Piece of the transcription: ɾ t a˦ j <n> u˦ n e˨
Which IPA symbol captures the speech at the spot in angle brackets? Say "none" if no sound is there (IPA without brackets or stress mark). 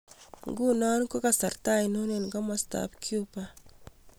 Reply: n